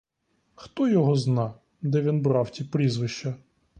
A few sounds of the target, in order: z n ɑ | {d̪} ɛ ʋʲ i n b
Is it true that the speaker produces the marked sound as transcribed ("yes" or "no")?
yes